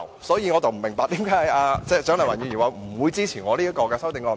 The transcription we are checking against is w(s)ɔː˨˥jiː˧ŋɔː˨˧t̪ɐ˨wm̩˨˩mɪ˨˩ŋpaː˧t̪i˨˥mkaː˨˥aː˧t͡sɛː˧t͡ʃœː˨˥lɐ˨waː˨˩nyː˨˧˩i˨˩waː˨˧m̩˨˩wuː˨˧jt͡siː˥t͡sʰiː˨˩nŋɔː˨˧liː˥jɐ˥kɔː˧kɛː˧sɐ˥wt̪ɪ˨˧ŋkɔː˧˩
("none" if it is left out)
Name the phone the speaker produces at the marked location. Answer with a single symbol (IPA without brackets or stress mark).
s